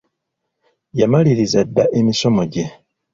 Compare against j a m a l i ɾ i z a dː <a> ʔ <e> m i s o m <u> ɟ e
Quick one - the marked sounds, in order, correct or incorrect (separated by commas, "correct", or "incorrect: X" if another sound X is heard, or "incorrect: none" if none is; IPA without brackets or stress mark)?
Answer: correct, correct, incorrect: o